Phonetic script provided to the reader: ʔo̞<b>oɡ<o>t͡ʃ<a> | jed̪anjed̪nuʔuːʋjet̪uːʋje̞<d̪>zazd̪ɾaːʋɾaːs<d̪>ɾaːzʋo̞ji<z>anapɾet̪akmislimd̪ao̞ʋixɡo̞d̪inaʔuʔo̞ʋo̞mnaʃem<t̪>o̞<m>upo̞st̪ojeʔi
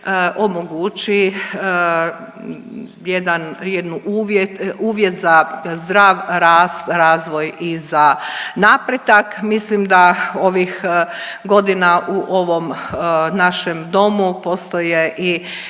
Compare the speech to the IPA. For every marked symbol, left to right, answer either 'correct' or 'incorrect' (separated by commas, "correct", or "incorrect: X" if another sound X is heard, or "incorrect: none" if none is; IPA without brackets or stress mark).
incorrect: m, incorrect: u, incorrect: i, incorrect: t̪, incorrect: t̪, correct, incorrect: d̪, correct